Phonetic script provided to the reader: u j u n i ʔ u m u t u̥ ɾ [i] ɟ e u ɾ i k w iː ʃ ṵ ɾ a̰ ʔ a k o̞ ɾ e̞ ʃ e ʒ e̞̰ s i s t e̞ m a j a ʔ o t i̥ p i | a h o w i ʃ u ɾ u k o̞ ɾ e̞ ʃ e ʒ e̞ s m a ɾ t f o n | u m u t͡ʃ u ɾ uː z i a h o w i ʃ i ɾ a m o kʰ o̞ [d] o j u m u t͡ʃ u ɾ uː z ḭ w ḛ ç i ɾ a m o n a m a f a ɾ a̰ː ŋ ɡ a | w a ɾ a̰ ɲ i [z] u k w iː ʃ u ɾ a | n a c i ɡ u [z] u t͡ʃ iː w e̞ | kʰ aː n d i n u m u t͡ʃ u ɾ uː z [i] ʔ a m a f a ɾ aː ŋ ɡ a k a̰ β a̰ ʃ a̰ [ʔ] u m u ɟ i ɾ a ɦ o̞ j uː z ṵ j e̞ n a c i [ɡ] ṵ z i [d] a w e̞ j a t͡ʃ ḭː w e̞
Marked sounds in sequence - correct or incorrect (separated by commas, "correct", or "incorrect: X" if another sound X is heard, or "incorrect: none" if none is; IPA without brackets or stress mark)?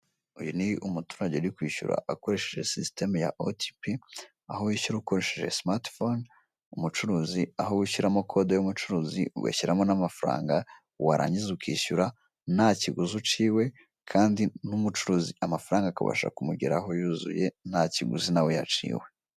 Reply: incorrect: a, correct, correct, correct, correct, incorrect: k, correct, incorrect: n